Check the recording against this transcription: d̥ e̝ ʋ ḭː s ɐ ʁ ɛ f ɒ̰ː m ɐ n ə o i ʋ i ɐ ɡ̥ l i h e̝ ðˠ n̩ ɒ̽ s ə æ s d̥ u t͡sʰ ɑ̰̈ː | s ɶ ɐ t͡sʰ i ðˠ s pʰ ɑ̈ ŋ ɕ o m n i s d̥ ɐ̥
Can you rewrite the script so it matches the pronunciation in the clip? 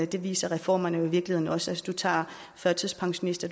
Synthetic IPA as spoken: d̥ e̝ ʋ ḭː s ɐ ʁ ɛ f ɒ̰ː m ɐ n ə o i ʋ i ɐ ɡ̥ l i h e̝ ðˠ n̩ ɒ̽ s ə æ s d̥ u t͡sʰ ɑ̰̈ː | f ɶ ɐ t͡sʰ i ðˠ s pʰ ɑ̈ ŋ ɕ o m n i s d̥ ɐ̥